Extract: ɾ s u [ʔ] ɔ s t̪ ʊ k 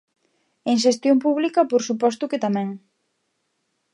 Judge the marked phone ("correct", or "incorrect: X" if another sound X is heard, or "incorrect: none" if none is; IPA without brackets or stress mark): incorrect: p